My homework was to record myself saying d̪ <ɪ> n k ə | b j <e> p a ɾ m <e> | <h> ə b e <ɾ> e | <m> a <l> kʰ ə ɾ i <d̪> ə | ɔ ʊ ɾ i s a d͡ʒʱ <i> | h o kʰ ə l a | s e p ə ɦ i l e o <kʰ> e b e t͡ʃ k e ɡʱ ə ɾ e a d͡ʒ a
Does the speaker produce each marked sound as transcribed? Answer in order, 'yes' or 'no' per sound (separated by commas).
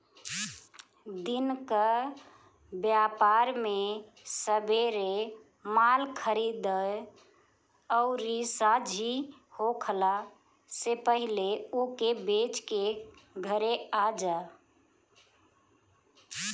no, no, yes, no, yes, yes, yes, yes, yes, no